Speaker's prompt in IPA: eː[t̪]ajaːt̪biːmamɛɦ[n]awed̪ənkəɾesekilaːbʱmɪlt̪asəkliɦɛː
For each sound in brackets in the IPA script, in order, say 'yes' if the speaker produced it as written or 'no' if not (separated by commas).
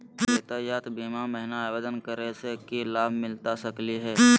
yes, yes